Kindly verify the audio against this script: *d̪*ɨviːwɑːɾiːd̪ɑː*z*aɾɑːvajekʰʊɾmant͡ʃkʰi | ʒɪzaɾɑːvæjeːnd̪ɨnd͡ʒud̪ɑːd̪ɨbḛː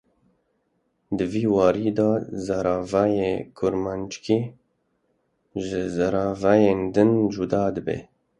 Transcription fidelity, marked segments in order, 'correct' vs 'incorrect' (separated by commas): correct, correct